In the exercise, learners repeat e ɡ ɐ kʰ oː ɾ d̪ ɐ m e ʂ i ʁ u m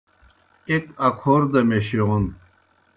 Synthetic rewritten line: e k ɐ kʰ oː ɾ d̪ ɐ m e ɕ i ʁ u n